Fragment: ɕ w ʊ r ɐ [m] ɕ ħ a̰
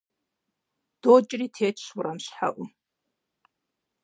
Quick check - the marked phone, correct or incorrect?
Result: correct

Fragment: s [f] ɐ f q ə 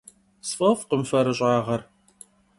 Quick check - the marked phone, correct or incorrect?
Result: correct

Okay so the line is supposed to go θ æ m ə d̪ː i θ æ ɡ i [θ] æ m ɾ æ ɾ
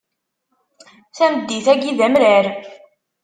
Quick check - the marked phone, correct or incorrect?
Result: incorrect: ð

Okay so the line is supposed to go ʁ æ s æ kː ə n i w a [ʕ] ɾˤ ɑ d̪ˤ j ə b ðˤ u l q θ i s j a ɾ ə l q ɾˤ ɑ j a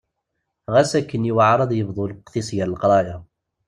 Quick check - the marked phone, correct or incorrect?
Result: correct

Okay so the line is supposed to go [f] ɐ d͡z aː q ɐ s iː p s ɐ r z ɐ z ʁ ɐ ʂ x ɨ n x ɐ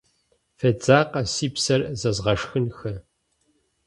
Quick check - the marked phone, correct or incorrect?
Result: correct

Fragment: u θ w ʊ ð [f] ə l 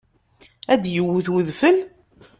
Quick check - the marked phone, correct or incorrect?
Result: correct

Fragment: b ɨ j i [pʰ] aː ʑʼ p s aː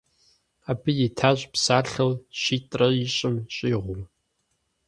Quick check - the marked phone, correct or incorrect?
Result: incorrect: tʰ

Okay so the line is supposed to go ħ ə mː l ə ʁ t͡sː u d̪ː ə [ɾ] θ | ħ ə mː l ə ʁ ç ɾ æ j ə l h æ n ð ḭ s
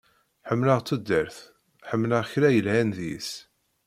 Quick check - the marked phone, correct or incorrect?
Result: correct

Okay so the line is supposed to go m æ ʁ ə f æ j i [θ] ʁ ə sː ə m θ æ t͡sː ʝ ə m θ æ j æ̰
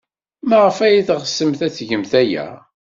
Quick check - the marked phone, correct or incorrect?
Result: correct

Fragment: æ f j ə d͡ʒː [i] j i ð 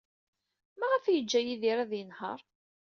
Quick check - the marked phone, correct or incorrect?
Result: incorrect: æ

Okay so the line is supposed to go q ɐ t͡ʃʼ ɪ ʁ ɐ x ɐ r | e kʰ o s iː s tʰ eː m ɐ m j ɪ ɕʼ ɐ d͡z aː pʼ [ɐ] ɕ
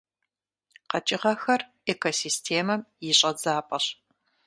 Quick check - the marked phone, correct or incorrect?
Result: correct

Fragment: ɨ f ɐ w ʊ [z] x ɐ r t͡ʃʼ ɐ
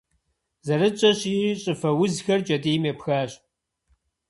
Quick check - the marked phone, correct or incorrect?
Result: correct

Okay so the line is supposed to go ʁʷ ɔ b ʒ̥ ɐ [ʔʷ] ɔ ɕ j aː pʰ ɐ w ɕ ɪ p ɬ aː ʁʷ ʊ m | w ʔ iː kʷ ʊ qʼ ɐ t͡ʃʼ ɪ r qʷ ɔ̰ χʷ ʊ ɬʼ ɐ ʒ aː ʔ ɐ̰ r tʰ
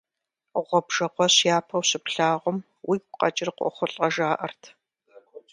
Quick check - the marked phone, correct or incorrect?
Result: incorrect: qʷ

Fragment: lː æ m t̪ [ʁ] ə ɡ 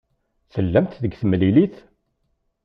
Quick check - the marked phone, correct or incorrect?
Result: incorrect: ð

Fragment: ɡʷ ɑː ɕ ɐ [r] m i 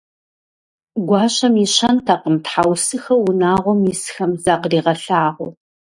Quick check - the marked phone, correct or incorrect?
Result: incorrect: none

